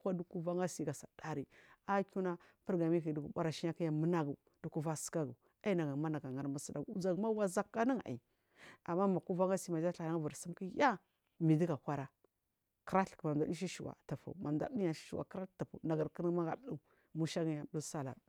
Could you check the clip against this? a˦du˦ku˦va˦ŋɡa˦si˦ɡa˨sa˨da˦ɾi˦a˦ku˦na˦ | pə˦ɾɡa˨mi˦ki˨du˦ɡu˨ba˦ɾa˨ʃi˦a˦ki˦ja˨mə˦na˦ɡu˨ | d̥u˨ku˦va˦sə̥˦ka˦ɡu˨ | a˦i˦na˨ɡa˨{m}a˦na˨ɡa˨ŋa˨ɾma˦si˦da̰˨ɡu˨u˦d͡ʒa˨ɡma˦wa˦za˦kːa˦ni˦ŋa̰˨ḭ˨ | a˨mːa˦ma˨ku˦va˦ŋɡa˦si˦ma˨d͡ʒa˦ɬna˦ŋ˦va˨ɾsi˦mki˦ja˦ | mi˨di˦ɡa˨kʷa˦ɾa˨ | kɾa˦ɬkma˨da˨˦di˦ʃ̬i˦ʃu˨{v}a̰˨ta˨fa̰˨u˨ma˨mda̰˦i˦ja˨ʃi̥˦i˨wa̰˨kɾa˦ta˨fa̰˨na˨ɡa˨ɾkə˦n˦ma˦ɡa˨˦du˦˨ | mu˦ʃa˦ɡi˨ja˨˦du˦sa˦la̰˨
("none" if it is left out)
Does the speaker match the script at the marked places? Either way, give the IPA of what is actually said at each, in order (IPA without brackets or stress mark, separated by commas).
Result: m, w